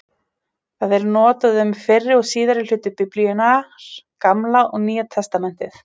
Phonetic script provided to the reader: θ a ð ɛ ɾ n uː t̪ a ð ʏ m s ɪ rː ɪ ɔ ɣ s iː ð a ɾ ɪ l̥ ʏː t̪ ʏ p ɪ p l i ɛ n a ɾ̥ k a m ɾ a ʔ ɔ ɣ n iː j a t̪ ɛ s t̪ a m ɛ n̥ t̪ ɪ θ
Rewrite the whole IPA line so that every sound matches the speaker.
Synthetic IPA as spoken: θ a ð ɛ ɾ n ɔː t̪ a ð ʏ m f ɪ rː ɪ ɔ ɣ s iː ð a ɾ ɪ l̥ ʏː t̪ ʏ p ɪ p l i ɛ n a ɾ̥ k a m l a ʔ ɔ ɣ n iː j a t̪ʰ ɛ s t̪ a m ɛ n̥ t̪ ɪ θ